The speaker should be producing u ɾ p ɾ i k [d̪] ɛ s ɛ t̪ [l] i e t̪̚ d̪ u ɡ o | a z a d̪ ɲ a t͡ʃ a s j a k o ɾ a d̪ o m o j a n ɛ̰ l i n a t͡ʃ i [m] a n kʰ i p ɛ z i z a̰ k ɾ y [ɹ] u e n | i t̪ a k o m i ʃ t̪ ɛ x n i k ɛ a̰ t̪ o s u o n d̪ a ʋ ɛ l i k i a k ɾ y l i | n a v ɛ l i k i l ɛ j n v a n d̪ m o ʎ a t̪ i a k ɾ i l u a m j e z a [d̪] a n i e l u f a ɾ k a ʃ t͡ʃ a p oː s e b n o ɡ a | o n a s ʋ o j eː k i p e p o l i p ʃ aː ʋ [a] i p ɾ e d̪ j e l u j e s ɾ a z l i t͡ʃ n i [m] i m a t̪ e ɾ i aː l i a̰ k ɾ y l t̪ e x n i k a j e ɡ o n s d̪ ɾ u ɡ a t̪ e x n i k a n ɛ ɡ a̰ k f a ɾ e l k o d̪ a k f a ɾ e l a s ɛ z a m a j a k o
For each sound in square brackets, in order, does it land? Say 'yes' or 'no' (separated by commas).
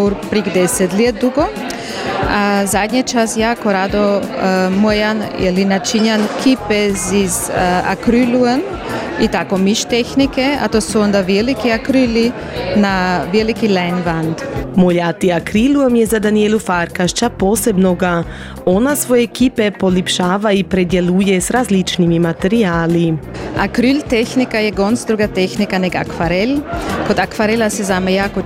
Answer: yes, yes, no, no, yes, yes, yes